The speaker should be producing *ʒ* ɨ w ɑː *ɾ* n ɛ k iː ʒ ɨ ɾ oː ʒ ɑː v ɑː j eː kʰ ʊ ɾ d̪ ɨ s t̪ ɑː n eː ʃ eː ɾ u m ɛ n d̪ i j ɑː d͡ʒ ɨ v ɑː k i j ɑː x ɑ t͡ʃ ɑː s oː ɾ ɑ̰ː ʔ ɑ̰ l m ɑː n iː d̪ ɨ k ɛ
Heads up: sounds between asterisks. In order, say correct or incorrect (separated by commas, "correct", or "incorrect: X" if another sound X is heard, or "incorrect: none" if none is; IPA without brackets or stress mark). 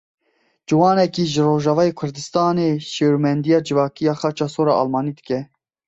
incorrect: d͡ʒ, incorrect: none